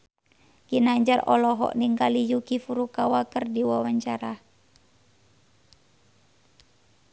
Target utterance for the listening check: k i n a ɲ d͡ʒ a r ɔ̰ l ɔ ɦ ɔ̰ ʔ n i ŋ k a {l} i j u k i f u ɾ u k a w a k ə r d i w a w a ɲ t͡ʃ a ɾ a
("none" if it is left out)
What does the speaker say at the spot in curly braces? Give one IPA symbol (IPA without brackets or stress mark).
l